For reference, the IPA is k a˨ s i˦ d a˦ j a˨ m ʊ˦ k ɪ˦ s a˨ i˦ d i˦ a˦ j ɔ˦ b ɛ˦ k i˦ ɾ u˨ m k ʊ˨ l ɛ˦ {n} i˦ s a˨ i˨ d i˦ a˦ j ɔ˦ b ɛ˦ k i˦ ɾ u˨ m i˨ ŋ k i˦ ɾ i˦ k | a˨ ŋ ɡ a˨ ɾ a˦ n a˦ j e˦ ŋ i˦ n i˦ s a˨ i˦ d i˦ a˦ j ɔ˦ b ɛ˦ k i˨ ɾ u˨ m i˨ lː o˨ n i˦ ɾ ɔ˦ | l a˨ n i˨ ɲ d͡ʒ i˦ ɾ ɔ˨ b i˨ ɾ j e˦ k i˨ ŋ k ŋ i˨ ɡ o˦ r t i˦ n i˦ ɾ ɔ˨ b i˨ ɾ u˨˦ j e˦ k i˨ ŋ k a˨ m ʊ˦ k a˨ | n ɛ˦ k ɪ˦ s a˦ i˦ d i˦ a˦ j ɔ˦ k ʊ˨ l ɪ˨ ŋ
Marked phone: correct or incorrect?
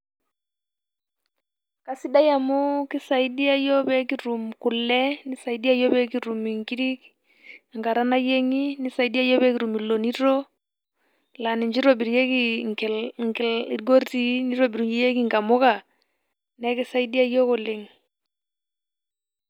correct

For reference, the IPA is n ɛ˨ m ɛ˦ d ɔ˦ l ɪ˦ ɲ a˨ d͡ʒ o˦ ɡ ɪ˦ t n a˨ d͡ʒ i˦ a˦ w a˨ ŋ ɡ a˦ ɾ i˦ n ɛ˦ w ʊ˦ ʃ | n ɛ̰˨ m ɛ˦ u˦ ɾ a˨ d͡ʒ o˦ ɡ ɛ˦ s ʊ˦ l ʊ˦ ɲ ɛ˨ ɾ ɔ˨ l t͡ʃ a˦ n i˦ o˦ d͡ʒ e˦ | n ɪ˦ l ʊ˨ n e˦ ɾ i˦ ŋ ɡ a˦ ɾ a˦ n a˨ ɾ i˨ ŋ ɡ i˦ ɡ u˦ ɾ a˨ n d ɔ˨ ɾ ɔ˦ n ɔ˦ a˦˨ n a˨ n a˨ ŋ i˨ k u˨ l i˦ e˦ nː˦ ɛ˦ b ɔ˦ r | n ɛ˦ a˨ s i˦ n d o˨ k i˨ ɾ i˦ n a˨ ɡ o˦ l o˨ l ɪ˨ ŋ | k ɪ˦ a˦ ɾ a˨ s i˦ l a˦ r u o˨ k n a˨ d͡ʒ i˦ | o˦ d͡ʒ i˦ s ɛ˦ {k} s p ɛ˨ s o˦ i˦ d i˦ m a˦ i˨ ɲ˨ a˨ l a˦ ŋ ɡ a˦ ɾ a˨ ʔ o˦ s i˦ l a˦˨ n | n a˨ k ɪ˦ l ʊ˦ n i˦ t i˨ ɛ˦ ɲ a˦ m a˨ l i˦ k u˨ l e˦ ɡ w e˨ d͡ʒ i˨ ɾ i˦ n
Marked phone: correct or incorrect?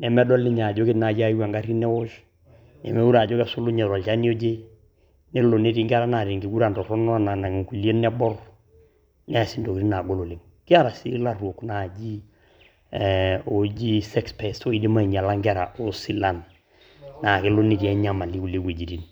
correct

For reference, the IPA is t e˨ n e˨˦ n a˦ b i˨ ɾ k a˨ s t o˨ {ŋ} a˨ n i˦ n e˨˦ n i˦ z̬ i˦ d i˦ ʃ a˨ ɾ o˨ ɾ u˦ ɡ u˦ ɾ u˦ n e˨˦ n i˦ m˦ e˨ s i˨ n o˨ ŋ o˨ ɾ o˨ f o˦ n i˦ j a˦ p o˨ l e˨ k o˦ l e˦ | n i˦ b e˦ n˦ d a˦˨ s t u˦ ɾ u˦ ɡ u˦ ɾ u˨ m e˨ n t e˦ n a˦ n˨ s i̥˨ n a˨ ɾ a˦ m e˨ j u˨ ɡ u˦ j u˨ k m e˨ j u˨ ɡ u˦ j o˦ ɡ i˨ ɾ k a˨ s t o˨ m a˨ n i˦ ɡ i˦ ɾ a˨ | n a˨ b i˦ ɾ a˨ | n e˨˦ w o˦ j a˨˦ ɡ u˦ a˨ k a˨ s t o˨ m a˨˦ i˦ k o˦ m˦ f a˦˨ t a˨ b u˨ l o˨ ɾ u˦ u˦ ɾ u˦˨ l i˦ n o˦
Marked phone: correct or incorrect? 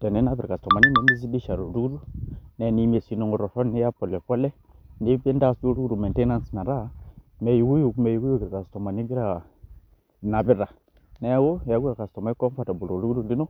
incorrect: m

